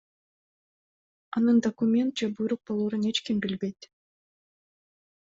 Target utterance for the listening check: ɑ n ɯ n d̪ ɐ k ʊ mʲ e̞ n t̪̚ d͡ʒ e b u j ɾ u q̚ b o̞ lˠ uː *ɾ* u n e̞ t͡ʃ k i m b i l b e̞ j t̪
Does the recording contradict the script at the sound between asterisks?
no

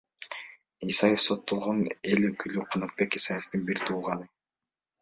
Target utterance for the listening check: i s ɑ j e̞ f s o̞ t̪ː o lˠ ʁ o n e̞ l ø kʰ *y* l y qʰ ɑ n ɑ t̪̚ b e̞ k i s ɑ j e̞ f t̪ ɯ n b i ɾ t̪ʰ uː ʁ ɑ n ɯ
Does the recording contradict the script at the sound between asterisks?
no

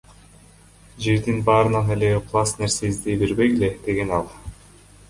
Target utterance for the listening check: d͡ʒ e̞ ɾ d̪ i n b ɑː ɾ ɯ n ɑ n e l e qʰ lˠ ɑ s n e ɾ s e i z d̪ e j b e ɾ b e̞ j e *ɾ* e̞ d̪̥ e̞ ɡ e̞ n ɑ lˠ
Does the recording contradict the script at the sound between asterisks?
yes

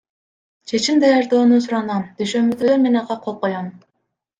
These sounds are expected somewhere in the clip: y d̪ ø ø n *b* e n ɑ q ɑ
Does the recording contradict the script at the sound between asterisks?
yes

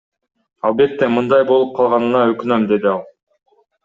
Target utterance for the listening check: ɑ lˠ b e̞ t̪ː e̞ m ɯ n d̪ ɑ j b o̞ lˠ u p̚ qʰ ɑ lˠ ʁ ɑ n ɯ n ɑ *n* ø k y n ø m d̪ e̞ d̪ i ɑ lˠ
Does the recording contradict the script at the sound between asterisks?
yes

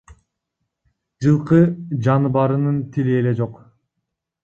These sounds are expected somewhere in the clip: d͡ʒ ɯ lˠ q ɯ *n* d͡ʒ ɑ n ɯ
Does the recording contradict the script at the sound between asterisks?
yes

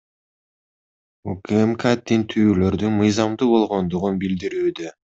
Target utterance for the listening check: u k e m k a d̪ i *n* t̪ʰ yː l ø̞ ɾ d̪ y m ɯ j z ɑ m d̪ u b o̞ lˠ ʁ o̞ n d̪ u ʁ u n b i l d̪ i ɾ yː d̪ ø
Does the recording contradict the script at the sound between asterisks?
no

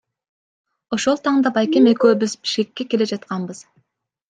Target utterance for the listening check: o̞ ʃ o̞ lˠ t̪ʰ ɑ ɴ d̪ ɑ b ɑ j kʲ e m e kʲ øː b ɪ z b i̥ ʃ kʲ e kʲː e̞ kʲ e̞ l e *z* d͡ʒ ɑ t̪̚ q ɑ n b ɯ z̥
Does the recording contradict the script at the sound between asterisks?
yes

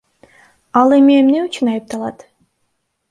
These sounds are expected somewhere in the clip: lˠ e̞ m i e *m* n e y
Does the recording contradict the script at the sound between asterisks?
no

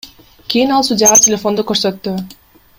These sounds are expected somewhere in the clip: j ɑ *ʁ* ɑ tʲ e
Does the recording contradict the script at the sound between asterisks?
no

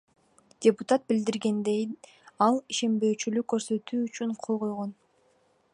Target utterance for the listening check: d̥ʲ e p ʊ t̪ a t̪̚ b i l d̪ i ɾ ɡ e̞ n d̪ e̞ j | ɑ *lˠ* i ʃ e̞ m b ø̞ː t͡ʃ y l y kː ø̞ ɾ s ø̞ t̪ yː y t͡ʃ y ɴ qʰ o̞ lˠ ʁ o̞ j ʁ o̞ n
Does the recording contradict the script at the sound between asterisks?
no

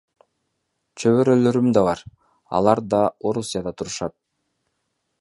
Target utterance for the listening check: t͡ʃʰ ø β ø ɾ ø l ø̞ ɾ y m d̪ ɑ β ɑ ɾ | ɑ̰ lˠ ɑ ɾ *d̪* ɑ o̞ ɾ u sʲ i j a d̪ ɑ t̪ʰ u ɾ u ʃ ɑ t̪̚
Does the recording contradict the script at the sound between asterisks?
no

